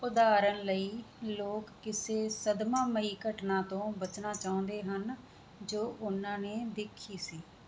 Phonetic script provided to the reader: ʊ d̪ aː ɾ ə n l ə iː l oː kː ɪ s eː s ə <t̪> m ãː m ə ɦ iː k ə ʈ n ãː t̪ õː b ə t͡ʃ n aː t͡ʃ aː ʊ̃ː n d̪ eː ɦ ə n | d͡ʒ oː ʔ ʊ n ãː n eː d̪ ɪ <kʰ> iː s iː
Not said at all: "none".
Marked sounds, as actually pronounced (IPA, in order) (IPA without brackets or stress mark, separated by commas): d̪, kʰ